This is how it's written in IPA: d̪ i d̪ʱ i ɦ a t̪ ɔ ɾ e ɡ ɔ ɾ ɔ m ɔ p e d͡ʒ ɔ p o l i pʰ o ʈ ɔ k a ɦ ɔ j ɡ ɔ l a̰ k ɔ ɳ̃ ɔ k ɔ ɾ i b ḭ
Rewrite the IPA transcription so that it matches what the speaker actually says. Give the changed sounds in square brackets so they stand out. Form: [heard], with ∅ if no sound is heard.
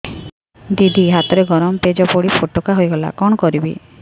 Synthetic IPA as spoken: d̪ i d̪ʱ i ɦ a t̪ ɔ ɾ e ɡ ɔ ɾ ɔ m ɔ p e d͡ʒ ɔ p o [ɽ] i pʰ o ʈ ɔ k a ɦ [o] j ɡ ɔ l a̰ k ɔ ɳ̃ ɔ k ɔ ɾ i b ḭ